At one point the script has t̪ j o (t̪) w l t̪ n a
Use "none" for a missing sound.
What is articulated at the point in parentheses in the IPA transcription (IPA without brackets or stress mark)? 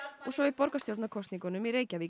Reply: none